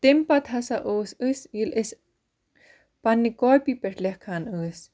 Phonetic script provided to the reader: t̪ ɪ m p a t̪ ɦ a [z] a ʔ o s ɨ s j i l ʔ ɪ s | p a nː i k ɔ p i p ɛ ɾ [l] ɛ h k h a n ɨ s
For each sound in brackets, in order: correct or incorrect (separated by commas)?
incorrect, correct